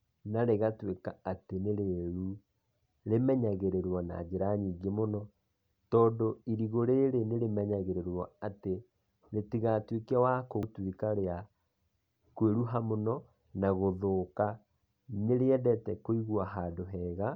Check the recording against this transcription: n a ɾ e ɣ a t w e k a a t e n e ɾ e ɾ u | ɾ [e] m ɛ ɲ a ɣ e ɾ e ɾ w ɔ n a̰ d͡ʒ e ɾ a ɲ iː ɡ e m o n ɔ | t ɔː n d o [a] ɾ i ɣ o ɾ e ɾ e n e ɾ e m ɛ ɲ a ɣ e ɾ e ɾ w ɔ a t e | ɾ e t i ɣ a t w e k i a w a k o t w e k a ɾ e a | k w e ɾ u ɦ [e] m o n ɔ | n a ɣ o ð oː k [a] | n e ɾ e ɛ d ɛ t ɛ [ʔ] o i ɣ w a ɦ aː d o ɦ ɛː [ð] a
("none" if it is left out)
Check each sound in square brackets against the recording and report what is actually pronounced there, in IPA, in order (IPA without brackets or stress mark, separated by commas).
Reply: e, i, a, a, k, ɣ